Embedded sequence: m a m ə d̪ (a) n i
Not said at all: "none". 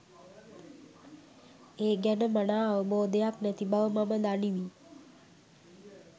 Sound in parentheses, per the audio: a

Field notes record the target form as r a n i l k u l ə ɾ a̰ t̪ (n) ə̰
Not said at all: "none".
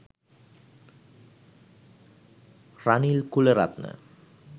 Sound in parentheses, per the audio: n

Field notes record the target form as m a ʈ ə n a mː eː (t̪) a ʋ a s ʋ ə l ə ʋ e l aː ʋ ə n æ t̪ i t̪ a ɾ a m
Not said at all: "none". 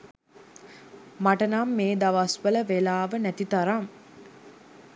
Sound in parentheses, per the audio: d̪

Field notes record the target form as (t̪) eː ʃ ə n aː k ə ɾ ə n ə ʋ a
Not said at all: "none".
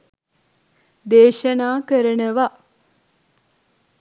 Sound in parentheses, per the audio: d̪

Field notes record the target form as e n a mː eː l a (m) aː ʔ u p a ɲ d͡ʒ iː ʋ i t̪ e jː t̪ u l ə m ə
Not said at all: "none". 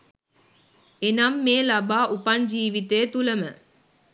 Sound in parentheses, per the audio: b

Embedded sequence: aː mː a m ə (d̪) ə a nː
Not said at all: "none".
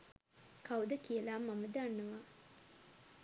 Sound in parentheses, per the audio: d̪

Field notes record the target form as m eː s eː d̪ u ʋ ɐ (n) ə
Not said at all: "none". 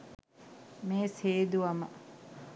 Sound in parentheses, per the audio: m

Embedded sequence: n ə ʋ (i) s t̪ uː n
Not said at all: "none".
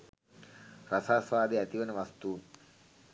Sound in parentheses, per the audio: a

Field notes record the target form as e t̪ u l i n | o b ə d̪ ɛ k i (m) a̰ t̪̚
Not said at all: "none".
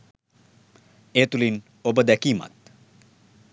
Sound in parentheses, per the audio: m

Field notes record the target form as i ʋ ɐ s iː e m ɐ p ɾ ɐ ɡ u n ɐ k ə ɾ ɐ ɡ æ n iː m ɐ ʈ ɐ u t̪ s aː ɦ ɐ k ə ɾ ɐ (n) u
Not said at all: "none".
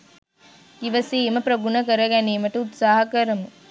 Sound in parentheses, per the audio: m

